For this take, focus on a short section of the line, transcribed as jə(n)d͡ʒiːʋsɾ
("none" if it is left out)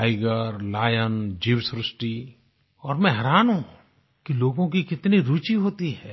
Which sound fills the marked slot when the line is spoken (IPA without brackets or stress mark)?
n